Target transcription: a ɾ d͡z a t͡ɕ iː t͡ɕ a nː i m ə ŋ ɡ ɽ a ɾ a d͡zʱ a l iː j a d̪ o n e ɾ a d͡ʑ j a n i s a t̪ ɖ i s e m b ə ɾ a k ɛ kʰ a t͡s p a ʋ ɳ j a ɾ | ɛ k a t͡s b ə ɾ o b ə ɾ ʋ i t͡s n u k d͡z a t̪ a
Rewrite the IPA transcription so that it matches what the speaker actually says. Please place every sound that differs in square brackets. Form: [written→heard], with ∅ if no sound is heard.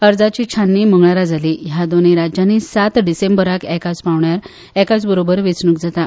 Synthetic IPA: [a→ə] ɾ d͡z a t͡ɕ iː [t͡ɕ→t͡ɕʰ] a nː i m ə ŋ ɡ [ɽ→ɭ] a ɾ a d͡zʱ a l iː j a d̪ o n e ɾ a d͡ʑ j a n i s a t̪ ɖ i s e m b ə ɾ a k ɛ [kʰ→k] a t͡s p a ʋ ɳ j a ɾ | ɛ k a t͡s b ə ɾ o b ə ɾ ʋ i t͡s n u k d͡z a t̪ a